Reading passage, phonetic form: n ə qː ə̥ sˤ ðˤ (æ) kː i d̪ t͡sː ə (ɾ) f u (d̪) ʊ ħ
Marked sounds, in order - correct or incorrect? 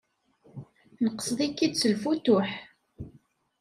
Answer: incorrect: i, incorrect: l, incorrect: t̪

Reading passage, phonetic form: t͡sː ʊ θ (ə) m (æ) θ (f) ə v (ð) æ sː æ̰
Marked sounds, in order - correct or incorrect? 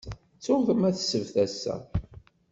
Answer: correct, correct, incorrect: s, incorrect: θ

